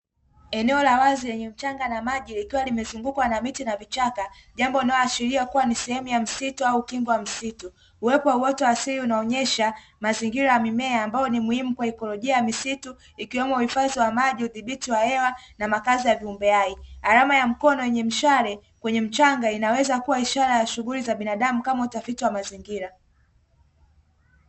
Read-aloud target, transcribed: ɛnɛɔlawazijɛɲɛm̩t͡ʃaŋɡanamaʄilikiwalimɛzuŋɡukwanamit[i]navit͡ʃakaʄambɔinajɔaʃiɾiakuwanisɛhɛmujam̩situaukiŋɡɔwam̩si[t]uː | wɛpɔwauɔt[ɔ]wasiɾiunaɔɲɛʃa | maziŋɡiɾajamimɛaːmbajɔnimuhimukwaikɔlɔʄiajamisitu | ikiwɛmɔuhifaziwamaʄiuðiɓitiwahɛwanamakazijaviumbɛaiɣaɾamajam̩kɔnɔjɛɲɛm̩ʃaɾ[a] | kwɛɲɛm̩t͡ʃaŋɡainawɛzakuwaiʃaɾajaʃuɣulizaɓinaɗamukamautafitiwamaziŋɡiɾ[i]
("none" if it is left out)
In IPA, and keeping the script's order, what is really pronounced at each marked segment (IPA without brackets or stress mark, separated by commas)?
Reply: i, t, ɔ, ɛ, a